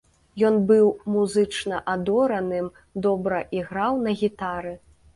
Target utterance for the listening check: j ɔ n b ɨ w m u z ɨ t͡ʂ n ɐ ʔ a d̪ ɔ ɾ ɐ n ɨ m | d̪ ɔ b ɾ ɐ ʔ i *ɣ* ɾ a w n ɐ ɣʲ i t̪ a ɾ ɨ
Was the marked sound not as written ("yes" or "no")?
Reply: no